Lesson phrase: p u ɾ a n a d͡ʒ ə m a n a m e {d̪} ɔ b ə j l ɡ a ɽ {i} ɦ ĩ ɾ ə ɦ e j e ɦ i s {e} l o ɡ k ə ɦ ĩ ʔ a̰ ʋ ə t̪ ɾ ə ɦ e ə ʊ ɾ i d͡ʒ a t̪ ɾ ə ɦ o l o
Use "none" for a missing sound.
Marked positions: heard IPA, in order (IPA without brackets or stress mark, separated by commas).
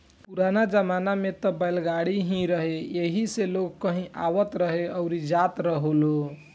t̪, i, e